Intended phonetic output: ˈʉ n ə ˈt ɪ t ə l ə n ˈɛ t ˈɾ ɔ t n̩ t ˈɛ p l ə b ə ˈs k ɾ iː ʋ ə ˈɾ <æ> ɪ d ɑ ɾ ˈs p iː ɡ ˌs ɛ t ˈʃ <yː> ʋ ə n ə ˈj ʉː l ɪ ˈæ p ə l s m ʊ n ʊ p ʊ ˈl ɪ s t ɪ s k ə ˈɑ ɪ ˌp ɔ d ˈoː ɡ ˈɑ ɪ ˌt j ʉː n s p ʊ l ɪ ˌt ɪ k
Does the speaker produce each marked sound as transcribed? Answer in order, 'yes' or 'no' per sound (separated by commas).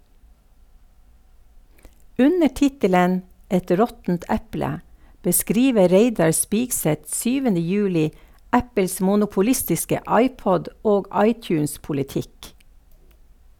no, yes